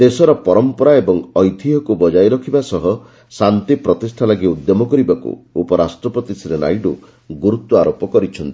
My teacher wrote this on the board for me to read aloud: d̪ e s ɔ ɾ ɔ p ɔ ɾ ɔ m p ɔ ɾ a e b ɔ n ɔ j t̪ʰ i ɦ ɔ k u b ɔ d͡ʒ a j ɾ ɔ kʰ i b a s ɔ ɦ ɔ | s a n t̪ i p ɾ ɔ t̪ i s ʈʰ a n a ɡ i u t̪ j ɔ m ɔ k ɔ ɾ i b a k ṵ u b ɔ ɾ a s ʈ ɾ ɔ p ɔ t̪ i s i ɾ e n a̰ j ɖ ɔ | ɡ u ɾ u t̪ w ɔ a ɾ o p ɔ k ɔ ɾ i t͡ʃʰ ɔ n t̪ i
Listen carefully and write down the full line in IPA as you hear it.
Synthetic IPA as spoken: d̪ e s ɔ ɾ ɔ p ɔ ɾ ɔ m p ɔ ɾ a e b ɔ ŋ ɔ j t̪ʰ i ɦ ɔ k u b ɔ d͡ʒ a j ɾ ɔ kʰ i b a s ɔ ɦ ɔ | s a n t̪ i p ɾ ɔ t̪ i s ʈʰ a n a ɡ i u d̪ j ɔ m ɔ k ɔ ɾ i b a k ṵ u p ɔ ɾ a s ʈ ɾ ɔ p ɔ t̪ i s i ɾ e n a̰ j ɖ u | ɡ u ɾ u t̪ w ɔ a ɾ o p ɔ k ɔ ɾ i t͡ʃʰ ɔ n t̪ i